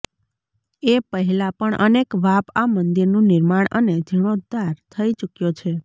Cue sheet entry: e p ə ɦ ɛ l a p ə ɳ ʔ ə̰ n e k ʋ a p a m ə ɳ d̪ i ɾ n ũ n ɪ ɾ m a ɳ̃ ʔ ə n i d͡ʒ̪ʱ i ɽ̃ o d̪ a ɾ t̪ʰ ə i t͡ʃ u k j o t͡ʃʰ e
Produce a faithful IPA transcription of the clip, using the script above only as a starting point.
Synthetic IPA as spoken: e p ə ɦ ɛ l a p ə ɳ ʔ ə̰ n e k ʋ a p a m ə n d̪ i ɾ n ũ n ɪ ɾ m a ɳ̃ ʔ ə n e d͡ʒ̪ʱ i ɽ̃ o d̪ a ɾ t̪ʰ ə i t͡ʃ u k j o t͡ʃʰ e